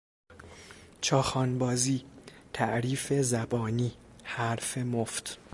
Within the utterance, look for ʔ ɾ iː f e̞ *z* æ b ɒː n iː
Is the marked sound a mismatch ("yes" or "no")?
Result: no